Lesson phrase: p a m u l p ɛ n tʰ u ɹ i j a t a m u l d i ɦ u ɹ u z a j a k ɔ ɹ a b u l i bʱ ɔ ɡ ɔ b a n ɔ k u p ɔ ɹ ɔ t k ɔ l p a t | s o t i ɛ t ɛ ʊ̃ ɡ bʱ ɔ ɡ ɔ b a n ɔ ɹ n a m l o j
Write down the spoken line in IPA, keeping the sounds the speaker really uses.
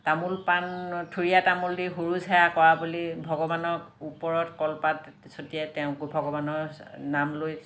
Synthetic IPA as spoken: t a m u l p a n tʰ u ɹ i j a t a m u l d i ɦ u ɹ u z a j a k ɔ ɹ a b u l i bʱ ɔ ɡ ɔ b a n ɔ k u p ɔ ɹ ɔ t k ɔ l p a t | s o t i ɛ t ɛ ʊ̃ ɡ bʱ ɔ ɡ ɔ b a n ɔ ɹ n a m l o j